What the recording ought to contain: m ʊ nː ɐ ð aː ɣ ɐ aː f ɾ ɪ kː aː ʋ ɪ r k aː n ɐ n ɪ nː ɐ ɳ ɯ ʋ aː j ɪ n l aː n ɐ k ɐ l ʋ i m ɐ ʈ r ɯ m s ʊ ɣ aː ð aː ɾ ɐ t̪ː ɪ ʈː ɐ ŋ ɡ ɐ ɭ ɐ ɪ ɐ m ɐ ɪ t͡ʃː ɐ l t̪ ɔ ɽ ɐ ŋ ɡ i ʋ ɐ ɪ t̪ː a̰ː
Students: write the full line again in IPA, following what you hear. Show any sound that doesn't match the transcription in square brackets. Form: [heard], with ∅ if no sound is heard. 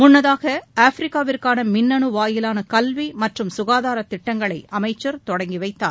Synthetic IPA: m ʊ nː ɐ ð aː ɣ ɐ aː f ɾ ɪ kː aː ʋ ɪ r k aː n ɐ [m] ɪ nː ɐ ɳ ɯ ʋ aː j ɪ [∅] l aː n ɐ k ɐ l ʋ i m ɐ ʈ r ɯ m s ʊ ɣ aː ð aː ɾ ɐ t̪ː ɪ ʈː ɐ ŋ ɡ ɐ ɭ ɐ ɪ ɐ m ɐ ɪ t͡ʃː ɐ [ɾ] t̪ ɔ ɽ ɐ ŋ ɡ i ʋ ɐ ɪ t̪ː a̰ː